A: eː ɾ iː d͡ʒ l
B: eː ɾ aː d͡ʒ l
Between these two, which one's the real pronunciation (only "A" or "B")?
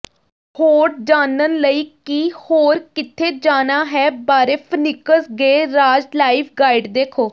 B